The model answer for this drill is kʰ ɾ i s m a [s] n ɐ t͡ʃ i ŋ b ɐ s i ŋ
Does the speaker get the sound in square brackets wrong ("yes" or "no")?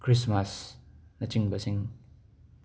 no